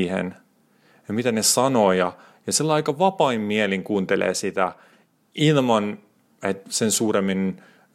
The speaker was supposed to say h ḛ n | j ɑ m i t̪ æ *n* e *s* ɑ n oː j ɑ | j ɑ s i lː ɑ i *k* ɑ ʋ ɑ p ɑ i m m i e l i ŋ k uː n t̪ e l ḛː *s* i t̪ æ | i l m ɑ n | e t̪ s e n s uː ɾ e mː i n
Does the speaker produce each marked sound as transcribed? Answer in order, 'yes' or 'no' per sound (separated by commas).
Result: yes, yes, yes, yes